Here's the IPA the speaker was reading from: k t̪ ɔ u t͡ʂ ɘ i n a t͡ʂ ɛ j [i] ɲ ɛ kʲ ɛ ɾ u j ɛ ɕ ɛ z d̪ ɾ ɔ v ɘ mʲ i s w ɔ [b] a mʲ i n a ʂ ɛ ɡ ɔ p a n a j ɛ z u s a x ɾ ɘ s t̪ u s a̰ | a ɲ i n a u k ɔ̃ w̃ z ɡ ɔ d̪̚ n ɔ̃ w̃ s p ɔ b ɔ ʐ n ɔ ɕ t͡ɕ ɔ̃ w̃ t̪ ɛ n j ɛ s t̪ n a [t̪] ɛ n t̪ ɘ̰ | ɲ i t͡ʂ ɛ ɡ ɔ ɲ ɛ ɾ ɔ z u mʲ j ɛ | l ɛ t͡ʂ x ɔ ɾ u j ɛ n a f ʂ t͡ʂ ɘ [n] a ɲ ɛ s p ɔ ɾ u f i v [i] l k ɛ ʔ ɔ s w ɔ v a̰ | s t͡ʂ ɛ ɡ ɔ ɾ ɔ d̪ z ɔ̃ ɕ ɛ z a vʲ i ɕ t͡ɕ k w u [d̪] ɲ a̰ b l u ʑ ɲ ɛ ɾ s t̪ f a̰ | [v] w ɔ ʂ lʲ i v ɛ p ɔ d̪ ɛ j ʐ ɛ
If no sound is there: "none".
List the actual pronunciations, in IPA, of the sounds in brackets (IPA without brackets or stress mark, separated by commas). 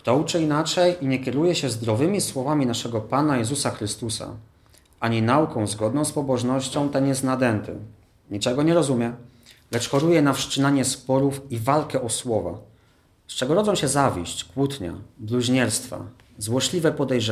i, v, d̪, n, a, t̪, z